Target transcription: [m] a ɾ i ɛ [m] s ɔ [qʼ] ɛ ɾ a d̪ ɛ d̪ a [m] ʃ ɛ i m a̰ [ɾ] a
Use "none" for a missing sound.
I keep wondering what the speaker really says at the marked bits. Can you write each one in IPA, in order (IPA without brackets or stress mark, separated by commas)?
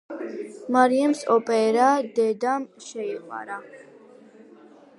m, m, pʼ, m, ɾ